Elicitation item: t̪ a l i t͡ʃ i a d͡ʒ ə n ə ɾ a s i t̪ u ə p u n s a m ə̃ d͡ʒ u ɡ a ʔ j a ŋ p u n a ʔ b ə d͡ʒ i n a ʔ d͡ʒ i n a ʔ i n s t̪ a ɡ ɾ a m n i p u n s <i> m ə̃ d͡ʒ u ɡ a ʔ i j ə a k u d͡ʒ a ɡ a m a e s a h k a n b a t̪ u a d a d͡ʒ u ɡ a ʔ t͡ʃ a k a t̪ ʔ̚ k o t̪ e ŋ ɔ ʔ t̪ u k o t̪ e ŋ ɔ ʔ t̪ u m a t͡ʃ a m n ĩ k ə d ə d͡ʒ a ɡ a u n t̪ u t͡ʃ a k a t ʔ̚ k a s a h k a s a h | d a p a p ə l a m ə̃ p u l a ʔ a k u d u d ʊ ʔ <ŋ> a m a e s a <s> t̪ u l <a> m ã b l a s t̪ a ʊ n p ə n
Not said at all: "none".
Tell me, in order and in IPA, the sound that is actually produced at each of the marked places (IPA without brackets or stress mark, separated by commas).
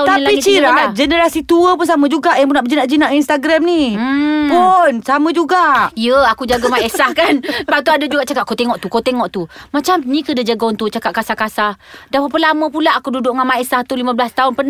a, ŋ, h, i